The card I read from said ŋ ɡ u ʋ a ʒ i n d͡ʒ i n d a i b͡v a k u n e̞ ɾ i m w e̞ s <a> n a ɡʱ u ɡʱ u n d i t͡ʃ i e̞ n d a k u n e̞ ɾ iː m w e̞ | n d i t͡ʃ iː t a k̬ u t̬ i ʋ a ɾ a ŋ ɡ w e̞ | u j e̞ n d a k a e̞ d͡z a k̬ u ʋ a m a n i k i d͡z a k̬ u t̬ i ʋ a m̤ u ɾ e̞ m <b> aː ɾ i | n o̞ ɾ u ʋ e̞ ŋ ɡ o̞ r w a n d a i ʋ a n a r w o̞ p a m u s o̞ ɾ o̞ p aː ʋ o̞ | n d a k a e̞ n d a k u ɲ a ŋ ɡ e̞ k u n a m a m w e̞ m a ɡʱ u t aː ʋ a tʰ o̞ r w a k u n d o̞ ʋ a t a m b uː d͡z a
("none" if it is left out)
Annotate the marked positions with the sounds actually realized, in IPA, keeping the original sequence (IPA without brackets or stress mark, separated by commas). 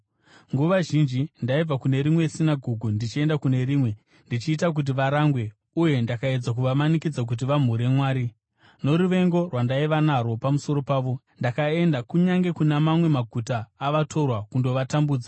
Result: i, w